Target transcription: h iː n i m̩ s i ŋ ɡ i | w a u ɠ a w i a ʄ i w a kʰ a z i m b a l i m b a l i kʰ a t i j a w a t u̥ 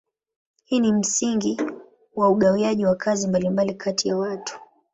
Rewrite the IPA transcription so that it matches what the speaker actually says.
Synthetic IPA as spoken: h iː n i m̩ s i ŋ ɡ i | w a u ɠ a w i a ʄ i w a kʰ a z i m b a l i m b a l i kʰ a t i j a w a t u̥

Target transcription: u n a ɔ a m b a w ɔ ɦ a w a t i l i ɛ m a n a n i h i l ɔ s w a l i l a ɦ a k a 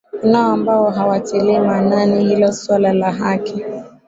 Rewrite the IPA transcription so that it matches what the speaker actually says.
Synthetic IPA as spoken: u n a ɔ a m b a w ɔ ɦ a w a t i l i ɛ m a n a n i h i l ɔ s w a l a l a ɦ a k i

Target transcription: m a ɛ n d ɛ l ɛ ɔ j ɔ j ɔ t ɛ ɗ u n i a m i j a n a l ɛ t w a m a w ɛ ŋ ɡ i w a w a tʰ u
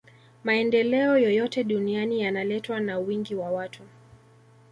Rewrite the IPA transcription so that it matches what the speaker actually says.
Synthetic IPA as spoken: m a ɛ n d ɛ l ɛ ɔ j ɔ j ɔ t ɛ ɗ u n i a n i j a n a l ɛ t w a n a w i ŋ ɡ i w a w a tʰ u

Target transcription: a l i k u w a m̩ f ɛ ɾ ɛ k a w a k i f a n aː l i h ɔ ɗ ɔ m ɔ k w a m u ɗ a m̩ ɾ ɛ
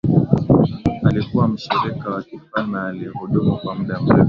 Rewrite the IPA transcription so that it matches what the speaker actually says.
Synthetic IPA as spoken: a l i k u w a m̩ ʃ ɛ ɾ ɛ k a w a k i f a n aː l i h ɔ ɗ ɔ m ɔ k w a m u ɗ a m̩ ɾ ɛ

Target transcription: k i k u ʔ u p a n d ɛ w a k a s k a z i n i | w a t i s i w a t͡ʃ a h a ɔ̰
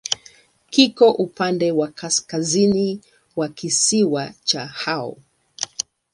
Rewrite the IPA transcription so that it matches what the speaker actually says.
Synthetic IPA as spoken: k i k ɔ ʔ u p a n d ɛ w a k a s k a z i n i | w a k i s i w a t͡ʃ a h a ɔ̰

